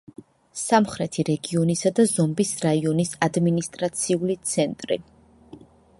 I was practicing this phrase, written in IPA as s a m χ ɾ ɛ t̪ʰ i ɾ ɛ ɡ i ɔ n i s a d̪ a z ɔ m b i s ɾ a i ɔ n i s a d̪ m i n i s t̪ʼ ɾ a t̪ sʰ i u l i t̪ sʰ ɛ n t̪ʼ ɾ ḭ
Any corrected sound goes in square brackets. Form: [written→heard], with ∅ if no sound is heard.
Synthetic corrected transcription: s a m χ ɾ ɛ t̪ʰ i ɾ ɛ ɡ i ɔ n i s a d̪ a z ɔ m b i s ɾ a i ɔ n i s a d̪ m i n i s t̪ʼ ɾ a t̪ sʰ i u l i t̪ sʰ ɛ n t̪ʼ ɾ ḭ